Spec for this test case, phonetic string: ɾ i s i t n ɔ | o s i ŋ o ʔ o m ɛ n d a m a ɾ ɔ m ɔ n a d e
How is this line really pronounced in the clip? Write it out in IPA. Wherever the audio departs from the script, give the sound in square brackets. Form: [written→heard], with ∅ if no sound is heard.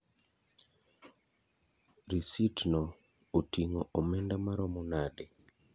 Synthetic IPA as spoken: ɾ i s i t n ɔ | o [s→t] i ŋ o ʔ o m ɛ n d a m a ɾ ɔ m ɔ n a d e